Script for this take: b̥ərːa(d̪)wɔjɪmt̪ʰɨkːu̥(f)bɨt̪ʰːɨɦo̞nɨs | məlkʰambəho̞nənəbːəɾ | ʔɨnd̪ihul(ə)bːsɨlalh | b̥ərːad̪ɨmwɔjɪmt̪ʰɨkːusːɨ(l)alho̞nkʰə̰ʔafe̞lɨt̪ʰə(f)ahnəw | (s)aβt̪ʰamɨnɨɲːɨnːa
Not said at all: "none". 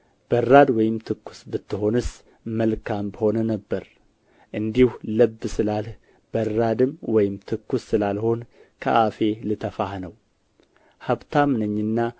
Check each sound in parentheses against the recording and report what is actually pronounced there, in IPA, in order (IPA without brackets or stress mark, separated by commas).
d̪, s, ə, l, f, h